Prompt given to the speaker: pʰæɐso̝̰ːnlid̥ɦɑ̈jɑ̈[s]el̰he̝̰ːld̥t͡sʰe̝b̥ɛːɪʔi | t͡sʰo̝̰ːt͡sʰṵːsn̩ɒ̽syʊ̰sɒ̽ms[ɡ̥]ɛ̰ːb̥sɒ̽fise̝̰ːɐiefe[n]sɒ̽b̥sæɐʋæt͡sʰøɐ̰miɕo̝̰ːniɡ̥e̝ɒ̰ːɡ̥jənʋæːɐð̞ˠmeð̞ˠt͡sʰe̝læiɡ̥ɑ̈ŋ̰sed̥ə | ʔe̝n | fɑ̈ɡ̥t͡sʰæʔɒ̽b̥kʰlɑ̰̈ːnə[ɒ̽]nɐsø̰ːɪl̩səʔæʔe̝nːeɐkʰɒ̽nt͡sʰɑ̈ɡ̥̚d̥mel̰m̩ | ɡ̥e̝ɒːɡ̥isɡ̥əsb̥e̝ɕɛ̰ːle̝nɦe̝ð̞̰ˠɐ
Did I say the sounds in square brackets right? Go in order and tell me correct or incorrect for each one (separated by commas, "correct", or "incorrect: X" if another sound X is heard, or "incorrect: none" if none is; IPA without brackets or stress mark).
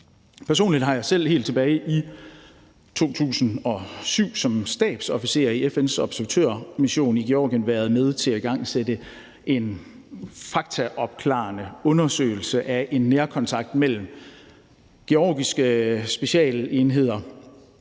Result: correct, incorrect: d̥, correct, incorrect: ɔ̽